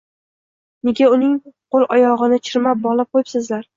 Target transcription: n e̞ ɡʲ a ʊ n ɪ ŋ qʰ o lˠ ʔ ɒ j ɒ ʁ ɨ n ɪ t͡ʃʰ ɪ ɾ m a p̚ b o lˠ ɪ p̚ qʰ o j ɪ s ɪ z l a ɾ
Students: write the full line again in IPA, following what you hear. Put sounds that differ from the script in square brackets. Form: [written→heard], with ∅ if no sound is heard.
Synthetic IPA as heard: n e̞ ɡʲ a ʊ n ɪ ŋ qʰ o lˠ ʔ ɒ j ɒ ʁ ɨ n ɪ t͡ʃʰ ɪ ɾ m a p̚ b [o→ɒ] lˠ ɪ p̚ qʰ o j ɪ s ɪ z l a ɾ